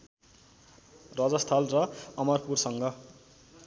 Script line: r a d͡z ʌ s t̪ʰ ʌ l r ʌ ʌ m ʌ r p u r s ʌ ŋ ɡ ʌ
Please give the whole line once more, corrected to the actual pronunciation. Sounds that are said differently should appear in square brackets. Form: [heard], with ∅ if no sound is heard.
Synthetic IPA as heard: r [ʌ] d͡z ʌ s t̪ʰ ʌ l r ʌ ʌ m ʌ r p u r s ʌ ŋ ɡ ʌ